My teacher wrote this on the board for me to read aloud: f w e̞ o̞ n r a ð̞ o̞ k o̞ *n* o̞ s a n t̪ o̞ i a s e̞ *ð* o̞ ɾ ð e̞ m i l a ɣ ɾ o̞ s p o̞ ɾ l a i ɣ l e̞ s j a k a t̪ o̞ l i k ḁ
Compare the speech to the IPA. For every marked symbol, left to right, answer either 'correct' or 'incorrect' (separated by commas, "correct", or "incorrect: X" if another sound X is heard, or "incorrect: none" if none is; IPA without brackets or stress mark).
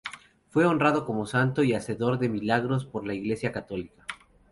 incorrect: m, correct